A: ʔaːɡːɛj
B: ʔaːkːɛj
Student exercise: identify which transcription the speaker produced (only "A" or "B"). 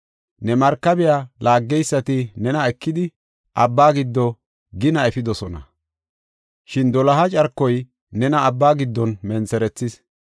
A